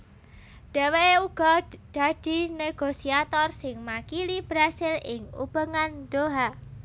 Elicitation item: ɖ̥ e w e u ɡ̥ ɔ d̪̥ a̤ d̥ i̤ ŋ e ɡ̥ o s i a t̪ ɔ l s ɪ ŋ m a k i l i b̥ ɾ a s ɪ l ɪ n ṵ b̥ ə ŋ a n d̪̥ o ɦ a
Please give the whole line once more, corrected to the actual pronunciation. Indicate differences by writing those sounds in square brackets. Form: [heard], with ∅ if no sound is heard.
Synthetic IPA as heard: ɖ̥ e w e u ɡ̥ ɔ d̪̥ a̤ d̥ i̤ [n] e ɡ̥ o s i a t̪ ɔ [r] s ɪ ŋ m a k i l i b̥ ɾ a s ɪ l ɪ [ŋ] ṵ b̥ ə ŋ a n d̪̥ o ɦ a